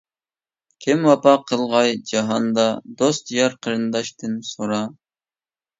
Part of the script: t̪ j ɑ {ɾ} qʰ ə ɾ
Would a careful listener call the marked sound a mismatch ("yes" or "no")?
no